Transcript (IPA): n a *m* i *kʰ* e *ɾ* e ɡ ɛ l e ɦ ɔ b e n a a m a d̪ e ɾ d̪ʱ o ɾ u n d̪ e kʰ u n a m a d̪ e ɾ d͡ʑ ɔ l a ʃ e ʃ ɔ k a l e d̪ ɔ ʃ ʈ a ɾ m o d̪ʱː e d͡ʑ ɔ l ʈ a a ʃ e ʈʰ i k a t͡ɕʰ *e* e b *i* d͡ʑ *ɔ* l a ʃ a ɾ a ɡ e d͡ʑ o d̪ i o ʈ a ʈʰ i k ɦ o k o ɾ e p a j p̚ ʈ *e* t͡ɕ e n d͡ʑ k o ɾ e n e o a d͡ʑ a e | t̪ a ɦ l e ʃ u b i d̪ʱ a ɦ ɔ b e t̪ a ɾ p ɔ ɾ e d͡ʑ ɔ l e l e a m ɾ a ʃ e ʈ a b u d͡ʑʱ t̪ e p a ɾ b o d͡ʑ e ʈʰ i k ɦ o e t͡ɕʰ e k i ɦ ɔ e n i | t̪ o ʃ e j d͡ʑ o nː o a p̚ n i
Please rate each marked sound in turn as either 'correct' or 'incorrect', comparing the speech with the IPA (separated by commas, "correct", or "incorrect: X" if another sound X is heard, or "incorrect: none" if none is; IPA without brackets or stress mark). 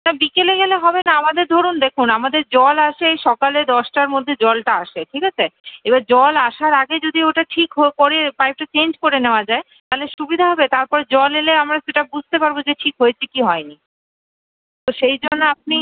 incorrect: b, incorrect: k, incorrect: l, correct, incorrect: a, correct, incorrect: a